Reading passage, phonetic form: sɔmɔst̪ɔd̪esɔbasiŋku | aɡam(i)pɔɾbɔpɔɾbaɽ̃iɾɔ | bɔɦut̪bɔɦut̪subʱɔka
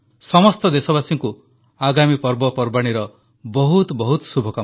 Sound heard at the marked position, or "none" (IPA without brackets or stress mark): i